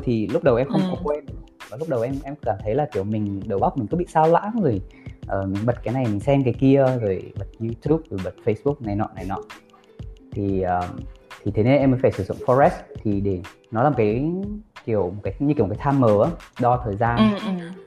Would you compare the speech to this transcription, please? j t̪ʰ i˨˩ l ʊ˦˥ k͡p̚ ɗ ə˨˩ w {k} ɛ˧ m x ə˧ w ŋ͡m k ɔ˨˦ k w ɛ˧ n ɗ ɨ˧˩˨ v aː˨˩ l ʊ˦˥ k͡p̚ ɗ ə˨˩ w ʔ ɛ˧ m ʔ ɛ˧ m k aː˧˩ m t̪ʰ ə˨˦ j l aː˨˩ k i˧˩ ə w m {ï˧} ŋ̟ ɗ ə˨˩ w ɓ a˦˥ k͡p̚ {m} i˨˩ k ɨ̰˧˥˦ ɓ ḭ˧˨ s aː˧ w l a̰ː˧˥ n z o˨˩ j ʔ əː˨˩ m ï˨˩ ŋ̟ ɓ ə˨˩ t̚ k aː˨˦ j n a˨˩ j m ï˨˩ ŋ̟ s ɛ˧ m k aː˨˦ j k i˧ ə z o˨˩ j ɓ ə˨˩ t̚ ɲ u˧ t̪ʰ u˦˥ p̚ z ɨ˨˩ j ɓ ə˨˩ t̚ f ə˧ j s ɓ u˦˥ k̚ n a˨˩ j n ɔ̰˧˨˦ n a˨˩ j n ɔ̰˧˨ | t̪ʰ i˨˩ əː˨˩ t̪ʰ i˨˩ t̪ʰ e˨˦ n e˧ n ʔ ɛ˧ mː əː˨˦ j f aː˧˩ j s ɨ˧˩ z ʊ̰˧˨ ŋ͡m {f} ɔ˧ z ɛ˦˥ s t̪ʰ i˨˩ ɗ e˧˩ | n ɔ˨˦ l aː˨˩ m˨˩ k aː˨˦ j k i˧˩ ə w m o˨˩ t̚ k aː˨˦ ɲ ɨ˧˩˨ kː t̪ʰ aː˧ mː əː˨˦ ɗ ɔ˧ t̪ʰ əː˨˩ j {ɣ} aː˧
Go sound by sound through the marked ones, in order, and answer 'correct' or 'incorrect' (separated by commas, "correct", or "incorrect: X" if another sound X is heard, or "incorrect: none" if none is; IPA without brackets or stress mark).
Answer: incorrect: ʔ, incorrect: ï˨˩, correct, correct, incorrect: z